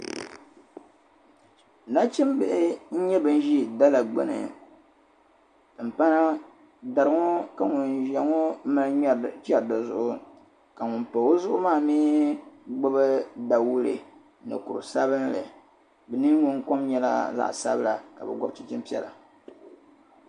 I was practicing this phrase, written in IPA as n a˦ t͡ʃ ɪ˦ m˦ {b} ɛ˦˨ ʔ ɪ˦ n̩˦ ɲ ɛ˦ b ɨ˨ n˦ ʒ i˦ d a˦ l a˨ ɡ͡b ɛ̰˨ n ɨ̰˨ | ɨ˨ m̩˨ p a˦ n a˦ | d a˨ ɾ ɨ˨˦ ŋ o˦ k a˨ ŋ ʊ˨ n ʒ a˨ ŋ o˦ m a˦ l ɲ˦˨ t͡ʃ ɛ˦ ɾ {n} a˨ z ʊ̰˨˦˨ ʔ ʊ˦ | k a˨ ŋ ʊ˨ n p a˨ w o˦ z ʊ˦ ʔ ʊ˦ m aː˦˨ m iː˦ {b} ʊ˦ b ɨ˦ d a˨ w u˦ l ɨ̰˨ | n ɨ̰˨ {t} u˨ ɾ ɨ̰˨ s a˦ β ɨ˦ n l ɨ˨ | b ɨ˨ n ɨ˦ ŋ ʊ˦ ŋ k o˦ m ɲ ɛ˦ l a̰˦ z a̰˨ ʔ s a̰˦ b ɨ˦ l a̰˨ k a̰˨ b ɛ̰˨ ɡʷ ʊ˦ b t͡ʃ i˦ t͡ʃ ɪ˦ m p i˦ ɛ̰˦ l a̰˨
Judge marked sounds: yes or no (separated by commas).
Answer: yes, no, no, no